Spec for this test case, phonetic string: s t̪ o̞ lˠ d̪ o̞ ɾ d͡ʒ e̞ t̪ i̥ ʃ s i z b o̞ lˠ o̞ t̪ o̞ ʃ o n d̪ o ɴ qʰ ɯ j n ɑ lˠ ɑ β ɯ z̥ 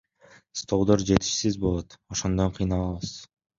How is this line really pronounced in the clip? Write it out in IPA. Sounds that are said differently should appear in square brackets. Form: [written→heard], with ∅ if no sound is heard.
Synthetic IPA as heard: s t̪ o̞ lˠ d̪ o̞ ɾ d͡ʒ e̞ t̪ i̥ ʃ s i z b o̞ lˠ o̞ t̪ o̞ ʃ o n d̪ o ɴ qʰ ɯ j n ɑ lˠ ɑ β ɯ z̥